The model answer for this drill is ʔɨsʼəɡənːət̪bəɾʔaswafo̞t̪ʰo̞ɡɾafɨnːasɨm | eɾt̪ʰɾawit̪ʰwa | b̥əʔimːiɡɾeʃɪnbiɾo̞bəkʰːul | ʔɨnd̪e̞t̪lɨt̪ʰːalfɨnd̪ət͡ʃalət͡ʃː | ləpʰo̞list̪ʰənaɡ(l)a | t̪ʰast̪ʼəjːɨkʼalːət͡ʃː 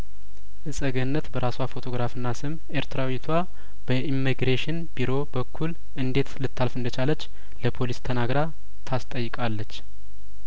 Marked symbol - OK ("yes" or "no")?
no